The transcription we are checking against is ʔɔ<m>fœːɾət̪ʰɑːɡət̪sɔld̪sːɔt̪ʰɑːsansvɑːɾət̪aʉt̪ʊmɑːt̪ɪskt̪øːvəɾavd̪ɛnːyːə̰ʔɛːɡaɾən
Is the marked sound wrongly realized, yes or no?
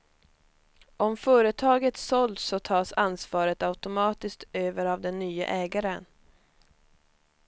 no